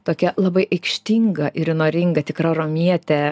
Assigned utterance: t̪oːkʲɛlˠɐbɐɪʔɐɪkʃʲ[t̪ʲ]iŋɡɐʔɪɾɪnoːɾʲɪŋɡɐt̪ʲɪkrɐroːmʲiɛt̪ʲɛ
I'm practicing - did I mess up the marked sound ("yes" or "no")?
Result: no